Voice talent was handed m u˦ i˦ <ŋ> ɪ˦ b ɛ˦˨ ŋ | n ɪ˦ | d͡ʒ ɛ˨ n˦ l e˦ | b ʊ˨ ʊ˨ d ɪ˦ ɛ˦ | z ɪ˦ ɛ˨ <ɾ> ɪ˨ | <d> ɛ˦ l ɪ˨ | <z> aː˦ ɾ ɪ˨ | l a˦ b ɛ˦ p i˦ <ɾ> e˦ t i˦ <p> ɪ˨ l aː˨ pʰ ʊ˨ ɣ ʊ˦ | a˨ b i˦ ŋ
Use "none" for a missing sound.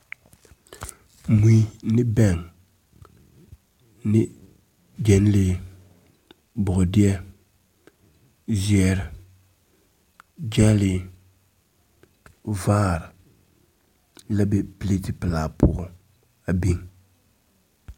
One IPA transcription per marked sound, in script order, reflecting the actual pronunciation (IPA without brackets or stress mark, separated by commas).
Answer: n, ɾ, d͡ʒ, v, l, p